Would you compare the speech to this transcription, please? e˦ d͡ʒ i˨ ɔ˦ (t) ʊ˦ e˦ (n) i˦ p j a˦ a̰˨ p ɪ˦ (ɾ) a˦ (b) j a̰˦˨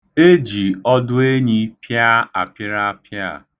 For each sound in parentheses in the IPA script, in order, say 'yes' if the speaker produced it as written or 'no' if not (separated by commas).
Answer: no, no, yes, no